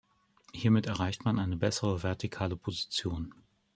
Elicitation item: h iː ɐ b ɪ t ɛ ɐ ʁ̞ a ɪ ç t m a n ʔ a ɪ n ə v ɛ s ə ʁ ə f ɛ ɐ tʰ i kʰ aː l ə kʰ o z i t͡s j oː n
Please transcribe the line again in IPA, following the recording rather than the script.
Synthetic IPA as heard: h iː ɐ m ɪ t ɛ ɐ ʁ̞ a ɪ ç t m a n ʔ a ɪ n ə b ɛ s ə ʁ ə v ɛ ɐ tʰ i kʰ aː l ə pʰ o z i t͡s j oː n